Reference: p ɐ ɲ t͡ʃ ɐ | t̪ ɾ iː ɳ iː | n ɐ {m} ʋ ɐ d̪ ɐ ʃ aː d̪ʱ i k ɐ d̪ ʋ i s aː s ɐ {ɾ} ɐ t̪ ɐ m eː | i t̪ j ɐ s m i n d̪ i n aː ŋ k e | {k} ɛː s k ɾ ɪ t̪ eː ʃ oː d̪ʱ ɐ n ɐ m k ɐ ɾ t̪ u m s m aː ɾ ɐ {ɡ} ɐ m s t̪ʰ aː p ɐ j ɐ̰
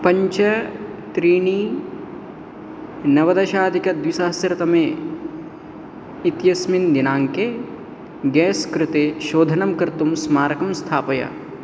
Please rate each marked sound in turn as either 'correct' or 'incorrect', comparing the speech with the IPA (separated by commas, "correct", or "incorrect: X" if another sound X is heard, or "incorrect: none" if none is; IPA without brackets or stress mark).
incorrect: none, correct, incorrect: ɡ, incorrect: k